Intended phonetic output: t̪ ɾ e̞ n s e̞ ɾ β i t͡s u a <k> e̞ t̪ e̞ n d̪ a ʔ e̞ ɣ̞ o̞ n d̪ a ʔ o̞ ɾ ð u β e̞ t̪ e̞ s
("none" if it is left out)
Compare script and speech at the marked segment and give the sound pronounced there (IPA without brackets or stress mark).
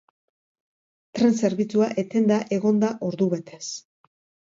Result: ʔ